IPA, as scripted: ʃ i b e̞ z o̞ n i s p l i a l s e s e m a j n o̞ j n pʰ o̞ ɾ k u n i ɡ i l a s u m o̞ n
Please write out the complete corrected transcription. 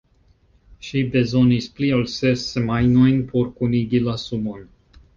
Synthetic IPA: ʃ i b e̞ z o̞ n i s p l i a l s e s e m a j n o̞ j n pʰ o̞ ɾ k u n i ɡ i l a s u m o̞ n